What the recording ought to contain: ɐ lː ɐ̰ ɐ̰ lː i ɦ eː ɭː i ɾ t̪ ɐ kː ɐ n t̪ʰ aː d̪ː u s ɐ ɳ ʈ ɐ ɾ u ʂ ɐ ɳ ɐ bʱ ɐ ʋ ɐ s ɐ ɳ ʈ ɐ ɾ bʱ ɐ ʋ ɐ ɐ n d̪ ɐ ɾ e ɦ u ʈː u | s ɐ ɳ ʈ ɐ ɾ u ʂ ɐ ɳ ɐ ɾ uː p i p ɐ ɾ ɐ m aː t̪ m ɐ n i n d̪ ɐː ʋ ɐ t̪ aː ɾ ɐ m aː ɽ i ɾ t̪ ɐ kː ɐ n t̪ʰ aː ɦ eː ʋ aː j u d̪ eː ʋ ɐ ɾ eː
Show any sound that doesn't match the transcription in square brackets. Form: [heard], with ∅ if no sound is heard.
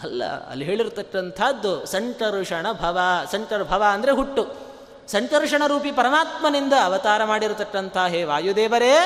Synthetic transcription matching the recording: ɐ lː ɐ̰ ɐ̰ lː i ɦ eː [ɭ] i ɾ t̪ ɐ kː ɐ n t̪ʰ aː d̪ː u s ɐ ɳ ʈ ɐ ɾ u ʂ ɐ ɳ ɐ bʱ ɐ ʋ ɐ s ɐ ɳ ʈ ɐ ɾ bʱ ɐ ʋ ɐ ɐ n d̪ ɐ ɾ e ɦ u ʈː u | s ɐ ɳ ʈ ɐ ɾ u ʂ ɐ ɳ ɐ ɾ uː p i p ɐ ɾ ɐ m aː t̪ m ɐ n i n d̪ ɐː ʋ ɐ t̪ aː ɾ ɐ m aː ɽ i ɾ t̪ ɐ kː ɐ n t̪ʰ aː ɦ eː ʋ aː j u d̪ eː ʋ ɐ ɾ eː